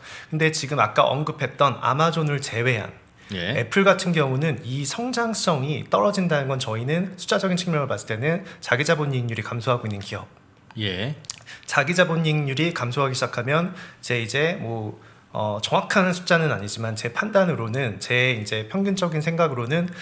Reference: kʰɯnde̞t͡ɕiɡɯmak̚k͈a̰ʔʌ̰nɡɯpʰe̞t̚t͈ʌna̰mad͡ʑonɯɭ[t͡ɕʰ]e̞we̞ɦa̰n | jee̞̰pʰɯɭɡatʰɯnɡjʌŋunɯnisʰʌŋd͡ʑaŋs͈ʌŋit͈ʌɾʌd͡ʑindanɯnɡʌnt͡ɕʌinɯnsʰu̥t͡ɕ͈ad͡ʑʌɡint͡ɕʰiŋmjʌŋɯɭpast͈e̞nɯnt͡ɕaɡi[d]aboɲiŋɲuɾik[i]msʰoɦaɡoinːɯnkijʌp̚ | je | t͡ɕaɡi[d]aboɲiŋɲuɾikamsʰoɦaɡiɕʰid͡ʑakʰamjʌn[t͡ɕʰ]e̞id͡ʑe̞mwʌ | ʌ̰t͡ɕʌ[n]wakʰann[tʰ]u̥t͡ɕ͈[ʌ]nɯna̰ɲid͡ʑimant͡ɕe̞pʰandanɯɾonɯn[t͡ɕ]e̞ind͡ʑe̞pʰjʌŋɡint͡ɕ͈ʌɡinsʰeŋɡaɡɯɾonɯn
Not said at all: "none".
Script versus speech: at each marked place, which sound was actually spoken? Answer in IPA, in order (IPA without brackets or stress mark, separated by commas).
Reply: t͡ɕ, d͡ʑ, a, d͡ʑ, t͡ɕ, ŋ, sʰ, a, t͡ɕ